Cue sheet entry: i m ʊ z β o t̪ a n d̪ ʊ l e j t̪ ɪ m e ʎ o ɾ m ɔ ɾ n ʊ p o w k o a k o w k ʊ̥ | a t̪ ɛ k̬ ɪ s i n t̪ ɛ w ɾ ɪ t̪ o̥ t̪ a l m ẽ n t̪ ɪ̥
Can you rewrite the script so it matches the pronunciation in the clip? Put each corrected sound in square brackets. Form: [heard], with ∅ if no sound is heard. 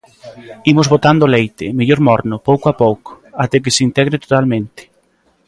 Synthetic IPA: i m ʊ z β o t̪ a n d̪ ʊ l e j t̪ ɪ m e ʎ o ɾ m ɔ ɾ n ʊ p o w k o a [p] o w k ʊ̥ | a t̪ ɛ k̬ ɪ s i n t̪ ɛ [ɣ] ɾ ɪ t̪ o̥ t̪ a l m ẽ n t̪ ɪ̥